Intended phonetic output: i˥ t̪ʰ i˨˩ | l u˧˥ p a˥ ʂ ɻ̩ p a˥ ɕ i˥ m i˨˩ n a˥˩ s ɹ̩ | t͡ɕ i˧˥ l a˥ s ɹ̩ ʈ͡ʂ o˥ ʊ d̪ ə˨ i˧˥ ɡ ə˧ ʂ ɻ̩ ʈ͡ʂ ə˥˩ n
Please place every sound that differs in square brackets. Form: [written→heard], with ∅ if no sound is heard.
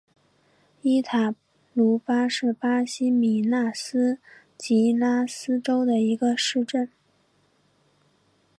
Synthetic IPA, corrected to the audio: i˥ t̪ʰ [i˨˩→a˨˩] | l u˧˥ p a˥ ʂ ɻ̩ p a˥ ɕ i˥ m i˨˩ n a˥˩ s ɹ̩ | t͡ɕ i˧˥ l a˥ s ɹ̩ ʈ͡ʂ o˥ ʊ d̪ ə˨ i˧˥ ɡ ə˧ ʂ ɻ̩ ʈ͡ʂ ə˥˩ n